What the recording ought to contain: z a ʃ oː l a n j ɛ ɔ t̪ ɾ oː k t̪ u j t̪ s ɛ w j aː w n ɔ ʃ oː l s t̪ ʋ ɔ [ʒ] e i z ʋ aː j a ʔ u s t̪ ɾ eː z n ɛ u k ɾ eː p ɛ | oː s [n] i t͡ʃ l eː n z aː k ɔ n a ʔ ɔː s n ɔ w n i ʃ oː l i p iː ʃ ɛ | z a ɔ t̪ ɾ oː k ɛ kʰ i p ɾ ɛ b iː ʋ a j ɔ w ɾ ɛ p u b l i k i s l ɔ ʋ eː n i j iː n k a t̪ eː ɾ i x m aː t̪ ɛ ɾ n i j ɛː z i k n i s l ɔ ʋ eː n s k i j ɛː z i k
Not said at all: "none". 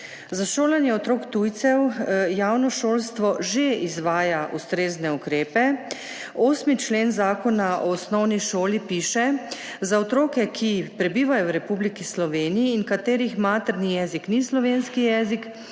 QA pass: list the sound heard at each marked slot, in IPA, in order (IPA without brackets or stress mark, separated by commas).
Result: ʒ, m